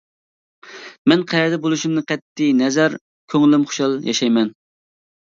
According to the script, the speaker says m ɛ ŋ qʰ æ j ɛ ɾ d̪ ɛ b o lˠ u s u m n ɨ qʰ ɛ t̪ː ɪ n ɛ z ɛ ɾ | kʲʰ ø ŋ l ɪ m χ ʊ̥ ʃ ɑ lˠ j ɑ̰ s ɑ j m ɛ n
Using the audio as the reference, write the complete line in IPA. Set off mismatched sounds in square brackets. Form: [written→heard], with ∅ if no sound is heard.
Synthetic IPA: m ɛ [ŋ→n] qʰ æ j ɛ ɾ d̪ ɛ b o lˠ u [s→ʃ] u m n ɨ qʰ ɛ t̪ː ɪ n ɛ z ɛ ɾ | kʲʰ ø ŋ l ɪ m χ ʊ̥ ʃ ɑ lˠ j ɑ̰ [s→ʃ] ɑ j m ɛ n